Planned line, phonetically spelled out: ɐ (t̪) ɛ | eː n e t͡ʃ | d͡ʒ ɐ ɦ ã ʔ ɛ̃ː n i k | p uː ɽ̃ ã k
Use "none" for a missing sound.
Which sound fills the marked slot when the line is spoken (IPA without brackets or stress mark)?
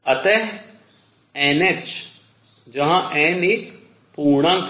t̪